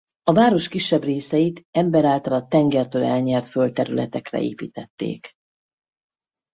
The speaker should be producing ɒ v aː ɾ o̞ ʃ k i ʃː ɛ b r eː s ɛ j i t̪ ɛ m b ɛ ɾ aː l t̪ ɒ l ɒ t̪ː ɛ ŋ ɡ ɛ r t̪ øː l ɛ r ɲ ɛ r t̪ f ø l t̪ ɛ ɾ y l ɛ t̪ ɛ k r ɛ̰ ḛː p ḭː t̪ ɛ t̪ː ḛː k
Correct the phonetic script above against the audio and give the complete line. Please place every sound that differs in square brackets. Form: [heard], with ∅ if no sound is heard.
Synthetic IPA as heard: ɒ v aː ɾ o̞ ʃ k i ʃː ɛ b r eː s ɛ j i t̪ ɛ m b ɛ ɾ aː l t̪ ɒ l ɒ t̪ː ɛ ŋ ɡ ɛ r t̪ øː l ɛ [l] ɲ ɛ r t̪ f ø l t̪ ɛ ɾ y l ɛ t̪ ɛ k r ɛ̰ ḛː p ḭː t̪ ɛ t̪ː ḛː k